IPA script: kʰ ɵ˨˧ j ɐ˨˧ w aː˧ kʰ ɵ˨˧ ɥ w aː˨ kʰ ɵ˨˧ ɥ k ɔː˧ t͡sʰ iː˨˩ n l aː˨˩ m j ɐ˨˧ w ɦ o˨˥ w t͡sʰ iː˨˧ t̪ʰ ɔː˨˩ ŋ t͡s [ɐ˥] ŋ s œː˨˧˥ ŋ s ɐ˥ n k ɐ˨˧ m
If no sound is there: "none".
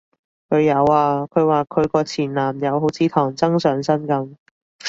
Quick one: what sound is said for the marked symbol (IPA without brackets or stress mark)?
ɐ˥